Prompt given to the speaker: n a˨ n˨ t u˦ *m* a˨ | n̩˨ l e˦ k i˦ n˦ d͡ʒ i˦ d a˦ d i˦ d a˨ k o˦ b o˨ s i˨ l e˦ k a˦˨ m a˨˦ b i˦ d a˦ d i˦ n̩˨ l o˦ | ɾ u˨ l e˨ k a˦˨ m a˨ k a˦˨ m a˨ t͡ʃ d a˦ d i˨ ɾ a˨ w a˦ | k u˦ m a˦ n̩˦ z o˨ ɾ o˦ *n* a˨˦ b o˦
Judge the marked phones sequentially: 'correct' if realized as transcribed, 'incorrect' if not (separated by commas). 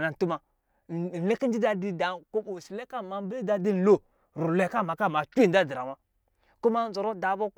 correct, incorrect